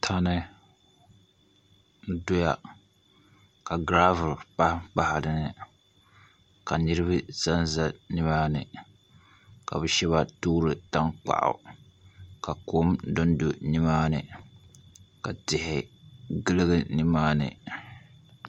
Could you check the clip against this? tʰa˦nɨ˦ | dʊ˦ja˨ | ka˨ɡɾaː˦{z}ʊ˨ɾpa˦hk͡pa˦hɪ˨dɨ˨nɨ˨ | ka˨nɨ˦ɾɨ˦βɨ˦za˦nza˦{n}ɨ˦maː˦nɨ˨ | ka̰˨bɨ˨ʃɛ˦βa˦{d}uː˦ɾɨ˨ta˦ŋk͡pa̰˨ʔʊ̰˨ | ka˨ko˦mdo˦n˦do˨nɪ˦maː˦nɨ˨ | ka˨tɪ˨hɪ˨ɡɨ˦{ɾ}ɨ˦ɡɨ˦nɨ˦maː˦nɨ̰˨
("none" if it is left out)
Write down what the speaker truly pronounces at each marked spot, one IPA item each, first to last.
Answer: v, n, t, l

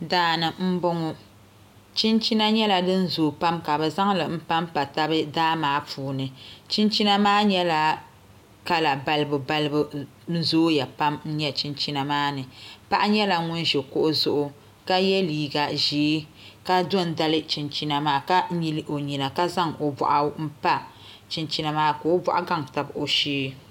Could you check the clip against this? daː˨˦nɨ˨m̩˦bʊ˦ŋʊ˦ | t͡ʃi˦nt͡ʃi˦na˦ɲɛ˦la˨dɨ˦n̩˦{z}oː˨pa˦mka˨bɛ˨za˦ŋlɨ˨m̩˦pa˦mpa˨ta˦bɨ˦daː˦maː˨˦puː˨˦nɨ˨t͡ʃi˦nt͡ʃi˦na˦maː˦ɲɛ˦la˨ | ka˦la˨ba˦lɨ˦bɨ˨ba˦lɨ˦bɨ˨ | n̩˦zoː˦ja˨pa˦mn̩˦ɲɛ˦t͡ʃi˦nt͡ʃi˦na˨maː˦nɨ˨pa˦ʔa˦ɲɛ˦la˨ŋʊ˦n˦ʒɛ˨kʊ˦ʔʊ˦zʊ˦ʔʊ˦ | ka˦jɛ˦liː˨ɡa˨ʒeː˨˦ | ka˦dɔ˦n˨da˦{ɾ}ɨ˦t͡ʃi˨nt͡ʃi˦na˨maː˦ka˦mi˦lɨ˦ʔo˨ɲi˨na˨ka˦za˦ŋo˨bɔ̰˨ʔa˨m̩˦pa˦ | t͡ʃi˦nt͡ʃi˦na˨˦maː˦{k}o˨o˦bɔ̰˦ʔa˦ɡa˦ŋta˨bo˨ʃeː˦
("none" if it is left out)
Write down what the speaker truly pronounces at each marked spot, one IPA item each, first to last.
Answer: z, l, k

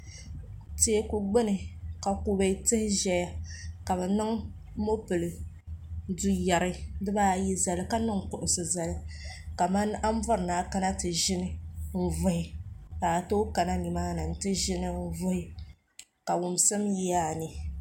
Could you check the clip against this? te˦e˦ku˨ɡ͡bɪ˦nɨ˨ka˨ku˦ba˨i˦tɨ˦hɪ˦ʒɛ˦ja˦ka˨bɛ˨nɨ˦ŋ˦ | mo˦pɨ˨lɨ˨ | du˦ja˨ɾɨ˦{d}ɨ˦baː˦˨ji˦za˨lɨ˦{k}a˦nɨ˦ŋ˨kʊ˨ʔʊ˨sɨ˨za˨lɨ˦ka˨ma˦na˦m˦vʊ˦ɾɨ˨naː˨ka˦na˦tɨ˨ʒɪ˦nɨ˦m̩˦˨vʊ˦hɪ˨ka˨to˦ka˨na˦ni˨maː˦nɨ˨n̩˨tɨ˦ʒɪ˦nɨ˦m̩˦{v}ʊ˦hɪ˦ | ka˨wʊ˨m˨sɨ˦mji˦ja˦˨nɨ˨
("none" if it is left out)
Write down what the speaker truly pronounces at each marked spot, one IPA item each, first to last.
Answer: d, k, v

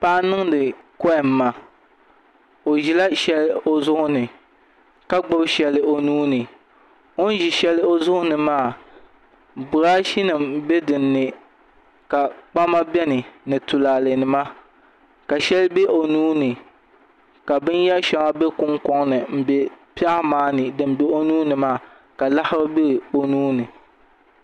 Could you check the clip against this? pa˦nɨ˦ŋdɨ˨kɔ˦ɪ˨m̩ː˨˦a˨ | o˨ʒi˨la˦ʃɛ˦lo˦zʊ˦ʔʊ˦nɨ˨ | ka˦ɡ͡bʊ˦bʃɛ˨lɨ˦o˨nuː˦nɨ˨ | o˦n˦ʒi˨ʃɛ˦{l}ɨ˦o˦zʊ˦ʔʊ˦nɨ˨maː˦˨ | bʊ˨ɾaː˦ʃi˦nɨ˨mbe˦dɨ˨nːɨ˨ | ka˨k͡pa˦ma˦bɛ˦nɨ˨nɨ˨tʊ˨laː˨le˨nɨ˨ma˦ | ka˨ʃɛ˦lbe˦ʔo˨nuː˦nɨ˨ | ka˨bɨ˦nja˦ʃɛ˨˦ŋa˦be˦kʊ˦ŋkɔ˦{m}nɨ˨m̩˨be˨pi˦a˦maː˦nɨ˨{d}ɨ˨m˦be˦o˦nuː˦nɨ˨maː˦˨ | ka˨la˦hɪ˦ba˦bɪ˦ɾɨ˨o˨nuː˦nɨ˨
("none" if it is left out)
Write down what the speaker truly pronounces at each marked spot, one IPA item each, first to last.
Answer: l, ŋ, d

